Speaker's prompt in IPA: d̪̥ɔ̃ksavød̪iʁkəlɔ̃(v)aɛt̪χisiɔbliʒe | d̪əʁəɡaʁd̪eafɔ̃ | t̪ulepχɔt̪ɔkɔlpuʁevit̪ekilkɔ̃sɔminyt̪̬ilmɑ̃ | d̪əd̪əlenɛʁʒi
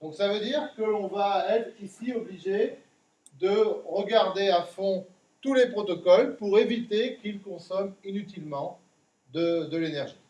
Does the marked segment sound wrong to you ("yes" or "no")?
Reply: no